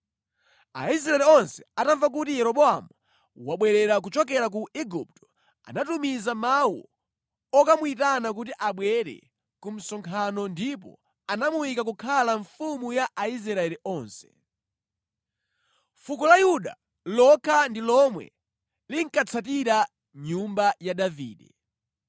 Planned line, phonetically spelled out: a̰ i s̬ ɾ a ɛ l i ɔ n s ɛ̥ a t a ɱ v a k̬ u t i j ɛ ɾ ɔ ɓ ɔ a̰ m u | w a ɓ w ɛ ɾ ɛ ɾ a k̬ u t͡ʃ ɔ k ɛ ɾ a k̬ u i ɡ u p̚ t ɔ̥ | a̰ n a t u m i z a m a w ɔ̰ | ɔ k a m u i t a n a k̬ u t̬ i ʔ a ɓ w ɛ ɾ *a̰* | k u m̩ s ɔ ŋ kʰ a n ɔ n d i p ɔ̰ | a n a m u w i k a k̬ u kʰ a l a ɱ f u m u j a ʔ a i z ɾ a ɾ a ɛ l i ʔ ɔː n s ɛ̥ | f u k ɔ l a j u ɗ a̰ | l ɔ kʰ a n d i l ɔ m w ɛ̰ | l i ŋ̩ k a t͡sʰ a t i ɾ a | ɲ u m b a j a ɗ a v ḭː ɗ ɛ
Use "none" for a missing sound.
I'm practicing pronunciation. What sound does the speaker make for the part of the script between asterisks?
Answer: ɛ̰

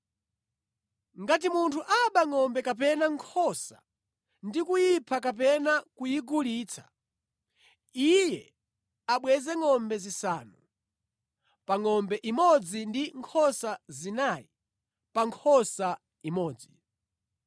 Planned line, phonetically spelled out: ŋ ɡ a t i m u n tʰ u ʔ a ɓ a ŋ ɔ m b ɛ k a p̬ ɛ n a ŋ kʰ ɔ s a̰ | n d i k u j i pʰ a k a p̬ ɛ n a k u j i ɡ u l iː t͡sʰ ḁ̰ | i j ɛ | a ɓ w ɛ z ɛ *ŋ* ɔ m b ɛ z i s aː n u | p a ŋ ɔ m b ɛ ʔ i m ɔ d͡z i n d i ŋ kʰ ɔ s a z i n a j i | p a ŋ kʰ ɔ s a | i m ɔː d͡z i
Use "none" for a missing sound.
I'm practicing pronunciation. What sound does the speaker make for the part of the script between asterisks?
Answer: ŋ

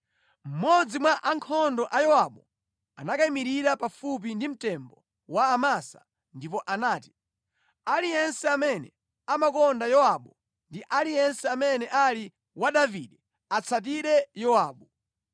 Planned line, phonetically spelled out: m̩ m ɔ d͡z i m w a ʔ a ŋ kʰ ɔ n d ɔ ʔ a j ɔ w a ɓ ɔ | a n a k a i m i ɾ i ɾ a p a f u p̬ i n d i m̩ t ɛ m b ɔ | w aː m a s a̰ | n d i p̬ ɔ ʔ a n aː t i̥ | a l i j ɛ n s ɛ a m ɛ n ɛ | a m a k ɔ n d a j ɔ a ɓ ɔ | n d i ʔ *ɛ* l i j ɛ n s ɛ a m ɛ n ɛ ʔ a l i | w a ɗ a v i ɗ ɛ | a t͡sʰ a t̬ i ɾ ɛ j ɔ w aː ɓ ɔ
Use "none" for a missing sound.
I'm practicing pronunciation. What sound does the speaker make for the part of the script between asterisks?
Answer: a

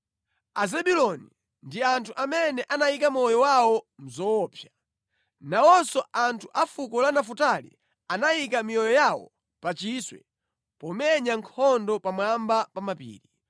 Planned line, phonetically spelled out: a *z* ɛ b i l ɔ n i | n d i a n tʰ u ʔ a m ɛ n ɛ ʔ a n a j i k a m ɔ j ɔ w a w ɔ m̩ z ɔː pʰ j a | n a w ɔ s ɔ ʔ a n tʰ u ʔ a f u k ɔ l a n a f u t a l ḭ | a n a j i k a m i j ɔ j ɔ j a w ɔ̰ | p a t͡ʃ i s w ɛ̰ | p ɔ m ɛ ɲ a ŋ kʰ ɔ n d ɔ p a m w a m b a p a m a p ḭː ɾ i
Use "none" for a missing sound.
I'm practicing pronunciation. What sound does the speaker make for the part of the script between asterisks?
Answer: z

